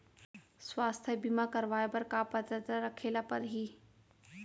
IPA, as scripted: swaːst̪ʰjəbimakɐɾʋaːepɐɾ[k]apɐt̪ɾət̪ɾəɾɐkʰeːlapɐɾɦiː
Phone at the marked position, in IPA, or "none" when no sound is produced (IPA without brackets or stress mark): k